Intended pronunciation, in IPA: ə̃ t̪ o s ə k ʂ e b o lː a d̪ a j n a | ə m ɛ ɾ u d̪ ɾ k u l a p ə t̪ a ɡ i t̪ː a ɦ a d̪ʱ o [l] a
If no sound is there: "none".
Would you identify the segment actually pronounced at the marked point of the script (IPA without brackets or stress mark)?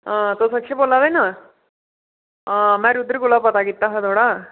ɽ